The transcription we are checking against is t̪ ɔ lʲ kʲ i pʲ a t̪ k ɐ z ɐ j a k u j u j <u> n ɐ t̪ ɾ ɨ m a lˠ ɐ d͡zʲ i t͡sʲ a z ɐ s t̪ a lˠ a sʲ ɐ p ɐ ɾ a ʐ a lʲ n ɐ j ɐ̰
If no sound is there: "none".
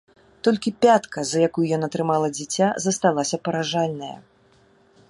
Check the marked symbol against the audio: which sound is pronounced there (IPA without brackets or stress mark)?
ɔ